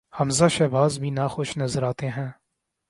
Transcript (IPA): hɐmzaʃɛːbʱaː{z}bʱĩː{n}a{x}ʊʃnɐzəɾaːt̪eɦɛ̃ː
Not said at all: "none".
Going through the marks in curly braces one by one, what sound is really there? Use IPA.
z, n, x

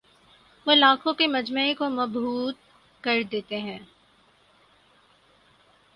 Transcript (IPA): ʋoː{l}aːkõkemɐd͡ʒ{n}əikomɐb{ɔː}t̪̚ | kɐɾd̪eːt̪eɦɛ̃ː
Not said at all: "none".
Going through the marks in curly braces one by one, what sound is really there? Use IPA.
l, m, uː

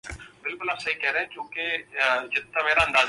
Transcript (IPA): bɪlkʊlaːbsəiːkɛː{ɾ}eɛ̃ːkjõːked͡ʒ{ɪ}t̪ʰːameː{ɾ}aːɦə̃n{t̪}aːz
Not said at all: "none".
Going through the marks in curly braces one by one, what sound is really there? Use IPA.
ɾ, ɪ, ɾ, d̪

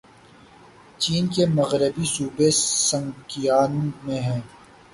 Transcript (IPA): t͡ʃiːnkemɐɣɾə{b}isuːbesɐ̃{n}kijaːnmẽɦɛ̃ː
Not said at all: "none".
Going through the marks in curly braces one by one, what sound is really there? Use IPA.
b, ŋ

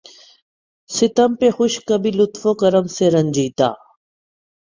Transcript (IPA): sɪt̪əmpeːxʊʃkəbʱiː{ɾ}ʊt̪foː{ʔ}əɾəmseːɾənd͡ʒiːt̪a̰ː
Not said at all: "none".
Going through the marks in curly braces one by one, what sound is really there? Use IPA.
l, k

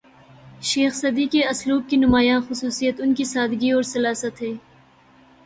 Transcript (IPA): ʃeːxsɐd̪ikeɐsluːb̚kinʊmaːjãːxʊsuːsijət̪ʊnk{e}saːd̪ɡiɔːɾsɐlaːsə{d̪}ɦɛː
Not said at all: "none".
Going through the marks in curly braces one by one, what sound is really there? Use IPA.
i, t̪

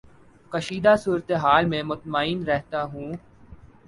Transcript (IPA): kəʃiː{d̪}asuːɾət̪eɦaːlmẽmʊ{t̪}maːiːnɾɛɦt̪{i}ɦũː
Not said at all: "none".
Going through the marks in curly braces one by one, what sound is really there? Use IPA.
d̪, t̪, a

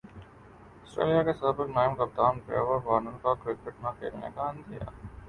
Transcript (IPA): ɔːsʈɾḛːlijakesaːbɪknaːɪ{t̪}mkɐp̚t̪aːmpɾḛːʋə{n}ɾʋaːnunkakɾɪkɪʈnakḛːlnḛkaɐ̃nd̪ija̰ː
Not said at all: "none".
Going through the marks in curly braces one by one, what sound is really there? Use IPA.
none, none

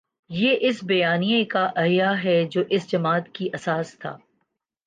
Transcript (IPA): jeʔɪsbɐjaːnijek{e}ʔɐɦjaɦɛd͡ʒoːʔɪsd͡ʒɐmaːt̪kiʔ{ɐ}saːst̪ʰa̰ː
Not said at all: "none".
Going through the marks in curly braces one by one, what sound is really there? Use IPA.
a, ɐ

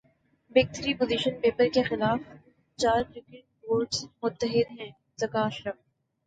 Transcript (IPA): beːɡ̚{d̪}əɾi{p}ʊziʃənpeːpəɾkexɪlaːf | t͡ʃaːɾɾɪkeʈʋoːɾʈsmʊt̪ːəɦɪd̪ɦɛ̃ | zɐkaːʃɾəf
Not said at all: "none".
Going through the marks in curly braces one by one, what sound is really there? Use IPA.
t̪, p

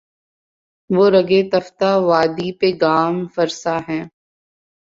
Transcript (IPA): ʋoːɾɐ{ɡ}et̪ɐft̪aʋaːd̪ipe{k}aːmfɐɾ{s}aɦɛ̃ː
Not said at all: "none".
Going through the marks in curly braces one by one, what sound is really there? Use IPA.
ɡ, ɡ, s

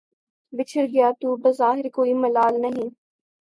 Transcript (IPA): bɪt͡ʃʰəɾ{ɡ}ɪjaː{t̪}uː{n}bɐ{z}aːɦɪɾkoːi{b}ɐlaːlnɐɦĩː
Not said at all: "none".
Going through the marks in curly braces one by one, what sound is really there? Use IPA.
ɡ, t̪, none, z, m

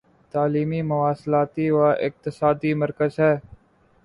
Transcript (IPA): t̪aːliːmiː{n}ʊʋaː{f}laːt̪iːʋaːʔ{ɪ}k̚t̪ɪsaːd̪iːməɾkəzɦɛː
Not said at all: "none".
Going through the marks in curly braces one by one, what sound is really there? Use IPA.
m, s, ɪ

